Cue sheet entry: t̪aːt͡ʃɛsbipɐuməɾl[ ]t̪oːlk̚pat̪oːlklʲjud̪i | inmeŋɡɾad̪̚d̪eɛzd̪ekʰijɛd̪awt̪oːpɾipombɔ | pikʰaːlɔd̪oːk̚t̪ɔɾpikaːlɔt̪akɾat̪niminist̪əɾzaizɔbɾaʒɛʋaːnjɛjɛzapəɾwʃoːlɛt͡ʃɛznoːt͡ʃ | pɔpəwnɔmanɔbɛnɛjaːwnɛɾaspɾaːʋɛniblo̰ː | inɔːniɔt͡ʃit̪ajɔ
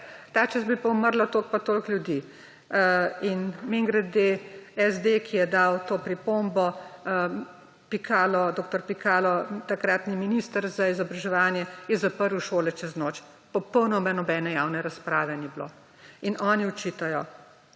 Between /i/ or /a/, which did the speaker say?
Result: a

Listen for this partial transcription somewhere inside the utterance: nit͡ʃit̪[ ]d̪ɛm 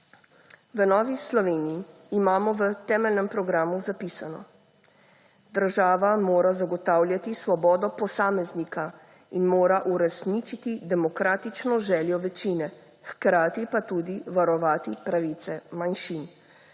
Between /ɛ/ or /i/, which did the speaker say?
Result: i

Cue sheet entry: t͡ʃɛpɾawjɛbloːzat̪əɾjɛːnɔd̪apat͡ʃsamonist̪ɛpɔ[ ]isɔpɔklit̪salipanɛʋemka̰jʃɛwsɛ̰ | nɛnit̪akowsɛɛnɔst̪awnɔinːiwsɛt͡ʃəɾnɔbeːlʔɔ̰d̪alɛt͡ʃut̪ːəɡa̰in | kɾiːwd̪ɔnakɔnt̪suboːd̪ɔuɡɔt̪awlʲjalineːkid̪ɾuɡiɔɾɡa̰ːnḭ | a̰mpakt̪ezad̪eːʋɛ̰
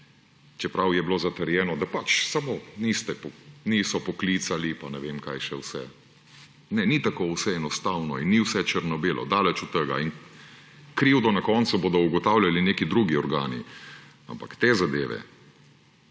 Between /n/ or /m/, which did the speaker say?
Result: n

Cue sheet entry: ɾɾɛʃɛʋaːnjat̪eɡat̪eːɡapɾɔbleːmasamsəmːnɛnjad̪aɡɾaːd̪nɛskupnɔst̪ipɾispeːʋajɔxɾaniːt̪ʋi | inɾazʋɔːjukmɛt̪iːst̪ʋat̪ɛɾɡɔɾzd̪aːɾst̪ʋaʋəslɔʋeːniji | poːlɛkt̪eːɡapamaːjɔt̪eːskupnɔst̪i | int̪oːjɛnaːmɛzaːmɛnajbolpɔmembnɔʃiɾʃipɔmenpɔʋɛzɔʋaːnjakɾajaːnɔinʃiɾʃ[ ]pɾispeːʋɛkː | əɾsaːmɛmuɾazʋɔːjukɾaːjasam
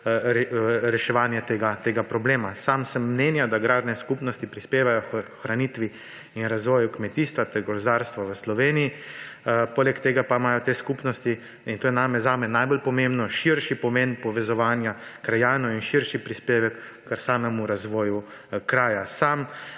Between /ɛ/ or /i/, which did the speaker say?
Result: i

